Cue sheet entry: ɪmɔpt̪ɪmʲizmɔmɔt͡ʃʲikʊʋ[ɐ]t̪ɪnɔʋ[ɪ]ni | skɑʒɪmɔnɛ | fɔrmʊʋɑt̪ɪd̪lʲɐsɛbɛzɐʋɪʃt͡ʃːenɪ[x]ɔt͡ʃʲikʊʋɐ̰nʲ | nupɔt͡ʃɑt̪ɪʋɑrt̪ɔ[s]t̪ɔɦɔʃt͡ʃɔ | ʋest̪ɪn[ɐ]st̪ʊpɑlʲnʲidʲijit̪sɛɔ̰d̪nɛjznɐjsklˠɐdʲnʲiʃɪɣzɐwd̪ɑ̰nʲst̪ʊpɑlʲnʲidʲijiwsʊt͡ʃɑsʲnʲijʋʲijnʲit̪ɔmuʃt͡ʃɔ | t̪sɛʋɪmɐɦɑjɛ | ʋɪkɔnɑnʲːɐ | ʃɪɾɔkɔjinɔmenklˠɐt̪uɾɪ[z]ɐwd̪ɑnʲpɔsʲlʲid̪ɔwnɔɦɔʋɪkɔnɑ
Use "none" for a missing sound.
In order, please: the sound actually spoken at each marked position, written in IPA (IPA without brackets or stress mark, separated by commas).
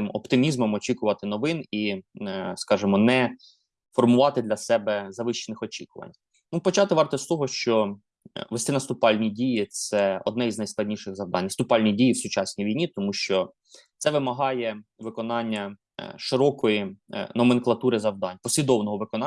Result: ɐ, ɪ, x, s, ɐ, z